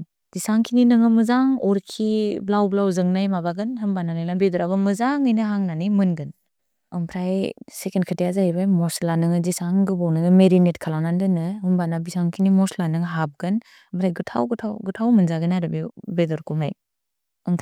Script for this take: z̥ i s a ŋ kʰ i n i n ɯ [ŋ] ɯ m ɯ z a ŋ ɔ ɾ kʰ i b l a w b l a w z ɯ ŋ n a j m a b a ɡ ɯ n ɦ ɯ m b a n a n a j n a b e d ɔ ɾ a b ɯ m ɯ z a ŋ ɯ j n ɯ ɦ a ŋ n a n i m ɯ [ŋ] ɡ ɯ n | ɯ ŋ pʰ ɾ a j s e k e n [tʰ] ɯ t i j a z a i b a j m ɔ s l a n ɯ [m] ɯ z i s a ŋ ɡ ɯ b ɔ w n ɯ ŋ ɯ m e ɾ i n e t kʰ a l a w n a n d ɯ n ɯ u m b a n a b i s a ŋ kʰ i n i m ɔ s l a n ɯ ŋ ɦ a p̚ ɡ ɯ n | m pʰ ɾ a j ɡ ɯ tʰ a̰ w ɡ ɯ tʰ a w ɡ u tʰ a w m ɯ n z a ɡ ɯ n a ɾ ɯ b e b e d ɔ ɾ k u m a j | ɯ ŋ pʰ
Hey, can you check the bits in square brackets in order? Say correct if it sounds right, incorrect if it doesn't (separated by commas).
correct, incorrect, incorrect, incorrect